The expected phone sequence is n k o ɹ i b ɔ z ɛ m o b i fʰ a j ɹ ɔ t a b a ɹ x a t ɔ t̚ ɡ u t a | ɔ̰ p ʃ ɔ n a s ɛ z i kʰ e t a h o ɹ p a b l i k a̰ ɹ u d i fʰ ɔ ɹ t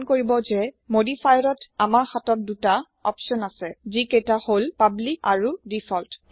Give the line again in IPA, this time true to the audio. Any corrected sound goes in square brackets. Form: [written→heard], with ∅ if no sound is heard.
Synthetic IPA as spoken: n k o ɹ i b ɔ z ɛ m o [b→d] i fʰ a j ɹ ɔ t a [b→m] a ɹ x a t ɔ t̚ [ɡ→d] u t a | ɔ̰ p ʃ ɔ n a s ɛ z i [kʰ→k] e t a h o [ɹ→l] p a b l i k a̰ ɹ u d i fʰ ɔ [ɹ→l] t